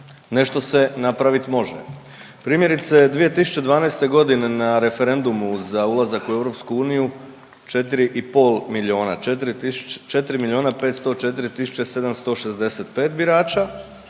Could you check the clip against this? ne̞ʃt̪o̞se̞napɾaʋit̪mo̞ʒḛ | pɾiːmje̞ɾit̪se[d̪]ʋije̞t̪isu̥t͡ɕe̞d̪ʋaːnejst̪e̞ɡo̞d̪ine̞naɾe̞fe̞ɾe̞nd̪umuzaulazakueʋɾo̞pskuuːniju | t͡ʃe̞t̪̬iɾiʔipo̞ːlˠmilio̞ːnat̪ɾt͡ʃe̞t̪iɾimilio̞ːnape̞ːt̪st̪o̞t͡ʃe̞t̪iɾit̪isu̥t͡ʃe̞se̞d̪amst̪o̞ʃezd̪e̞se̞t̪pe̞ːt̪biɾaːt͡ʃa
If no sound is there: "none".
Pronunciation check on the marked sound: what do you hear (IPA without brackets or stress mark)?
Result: d̪